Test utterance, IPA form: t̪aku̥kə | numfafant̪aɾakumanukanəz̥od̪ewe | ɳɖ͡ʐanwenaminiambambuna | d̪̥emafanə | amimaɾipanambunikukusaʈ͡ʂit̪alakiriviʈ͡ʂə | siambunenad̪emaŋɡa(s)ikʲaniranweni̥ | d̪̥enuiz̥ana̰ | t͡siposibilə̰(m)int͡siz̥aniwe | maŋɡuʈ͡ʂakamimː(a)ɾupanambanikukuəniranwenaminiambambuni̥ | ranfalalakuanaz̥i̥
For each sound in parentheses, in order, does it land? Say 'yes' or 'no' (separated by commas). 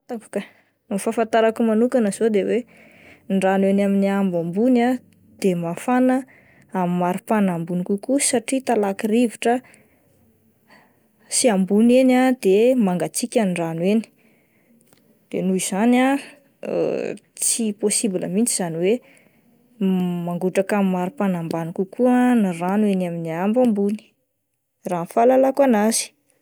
no, yes, yes